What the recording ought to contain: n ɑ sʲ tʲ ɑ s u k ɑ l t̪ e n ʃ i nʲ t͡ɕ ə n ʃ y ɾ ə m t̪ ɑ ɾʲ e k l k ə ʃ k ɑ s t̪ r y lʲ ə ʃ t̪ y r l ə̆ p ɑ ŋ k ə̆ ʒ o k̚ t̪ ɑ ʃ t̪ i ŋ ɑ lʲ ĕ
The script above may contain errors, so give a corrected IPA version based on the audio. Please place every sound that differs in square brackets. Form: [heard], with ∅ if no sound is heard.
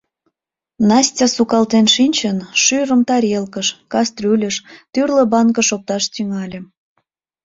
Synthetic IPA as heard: n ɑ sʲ tʲ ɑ s u k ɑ l t̪ e n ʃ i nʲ t͡ɕ ə n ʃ y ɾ ə m t̪ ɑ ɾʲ e [∅] l k ə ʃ k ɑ s t̪ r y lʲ ə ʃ t̪ y r l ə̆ [b] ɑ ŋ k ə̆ [ʃ] o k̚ t̪ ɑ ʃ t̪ [y] ŋ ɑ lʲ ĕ